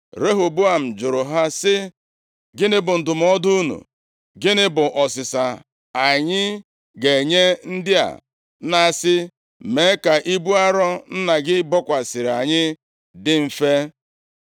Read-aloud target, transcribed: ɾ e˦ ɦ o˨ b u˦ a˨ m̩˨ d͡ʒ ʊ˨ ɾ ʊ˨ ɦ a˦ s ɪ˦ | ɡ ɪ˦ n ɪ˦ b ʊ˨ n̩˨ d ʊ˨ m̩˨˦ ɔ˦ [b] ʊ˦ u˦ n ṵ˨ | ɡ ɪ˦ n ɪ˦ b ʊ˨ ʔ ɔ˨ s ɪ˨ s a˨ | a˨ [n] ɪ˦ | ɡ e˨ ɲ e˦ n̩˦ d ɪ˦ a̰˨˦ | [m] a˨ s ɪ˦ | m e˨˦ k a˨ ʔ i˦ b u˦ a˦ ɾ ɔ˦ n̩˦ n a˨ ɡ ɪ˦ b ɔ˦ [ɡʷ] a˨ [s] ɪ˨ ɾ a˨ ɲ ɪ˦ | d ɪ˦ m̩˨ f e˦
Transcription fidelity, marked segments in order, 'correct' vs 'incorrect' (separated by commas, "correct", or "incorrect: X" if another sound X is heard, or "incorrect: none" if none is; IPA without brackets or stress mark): incorrect: d, incorrect: ɲ, incorrect: n, incorrect: kʷ, correct